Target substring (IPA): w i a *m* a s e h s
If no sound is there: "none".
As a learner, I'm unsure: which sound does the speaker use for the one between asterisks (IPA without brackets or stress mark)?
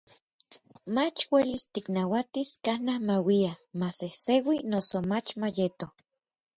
m